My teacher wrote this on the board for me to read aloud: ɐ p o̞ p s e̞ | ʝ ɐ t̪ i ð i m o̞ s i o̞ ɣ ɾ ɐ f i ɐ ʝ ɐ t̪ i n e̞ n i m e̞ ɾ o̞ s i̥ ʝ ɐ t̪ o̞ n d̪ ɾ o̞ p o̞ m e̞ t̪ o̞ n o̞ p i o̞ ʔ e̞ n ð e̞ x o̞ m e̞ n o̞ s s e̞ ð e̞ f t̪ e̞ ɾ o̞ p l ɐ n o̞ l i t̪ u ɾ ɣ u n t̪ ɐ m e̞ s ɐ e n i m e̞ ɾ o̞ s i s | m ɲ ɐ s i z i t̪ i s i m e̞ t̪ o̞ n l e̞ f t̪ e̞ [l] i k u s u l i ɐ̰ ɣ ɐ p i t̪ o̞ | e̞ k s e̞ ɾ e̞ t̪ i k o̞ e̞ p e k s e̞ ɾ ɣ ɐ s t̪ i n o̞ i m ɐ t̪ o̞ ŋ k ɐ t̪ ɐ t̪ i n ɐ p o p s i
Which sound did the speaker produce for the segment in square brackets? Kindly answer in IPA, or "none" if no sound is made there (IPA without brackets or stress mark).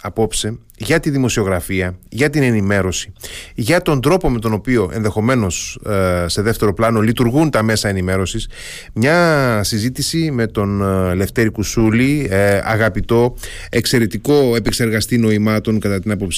ɾ